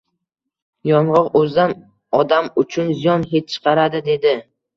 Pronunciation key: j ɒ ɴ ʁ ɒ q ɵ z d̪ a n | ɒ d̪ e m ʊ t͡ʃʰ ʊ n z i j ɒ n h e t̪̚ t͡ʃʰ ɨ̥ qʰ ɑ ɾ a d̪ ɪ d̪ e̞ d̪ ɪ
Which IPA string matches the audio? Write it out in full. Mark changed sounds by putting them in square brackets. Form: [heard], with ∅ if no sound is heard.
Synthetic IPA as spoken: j ɒ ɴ ʁ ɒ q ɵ z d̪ a n | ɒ d̪ [a] m ʊ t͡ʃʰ ʊ n z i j ɒ n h e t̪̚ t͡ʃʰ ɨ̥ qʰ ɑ ɾ a d̪ ɪ d̪ e̞ d̪ ɪ